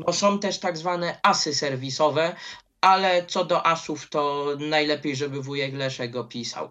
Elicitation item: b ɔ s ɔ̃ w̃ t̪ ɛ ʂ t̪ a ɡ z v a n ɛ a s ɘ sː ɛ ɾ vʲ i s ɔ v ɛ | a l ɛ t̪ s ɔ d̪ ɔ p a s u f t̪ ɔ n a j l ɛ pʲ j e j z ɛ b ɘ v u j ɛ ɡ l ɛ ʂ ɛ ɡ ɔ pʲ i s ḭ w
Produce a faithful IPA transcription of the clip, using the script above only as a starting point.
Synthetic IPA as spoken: b ɔ s ɔ̃ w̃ t̪ ɛ ʂ t̪ a ɡ z v a n ɛ a s ɘ s ɛ ɾ vʲ i s ɔ v ɛ | a l ɛ t̪ s ɔ d̪ ɔ ʔ a s u f t̪ ɔ n a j l ɛ pʲ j e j ʐ ɛ b ɘ v u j ɛ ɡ l ɛ ʂ ɛ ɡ ɔ pʲ i s a̰ w